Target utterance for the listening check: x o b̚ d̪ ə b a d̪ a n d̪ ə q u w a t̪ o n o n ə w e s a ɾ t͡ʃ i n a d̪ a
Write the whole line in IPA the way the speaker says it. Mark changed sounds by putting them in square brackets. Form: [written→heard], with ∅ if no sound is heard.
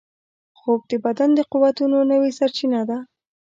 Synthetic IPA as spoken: x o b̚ d̪ ə b a d̪ a n d̪ ə q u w a t̪ [o→u] n o n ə w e s a ɾ t͡ʃ i n a d̪ a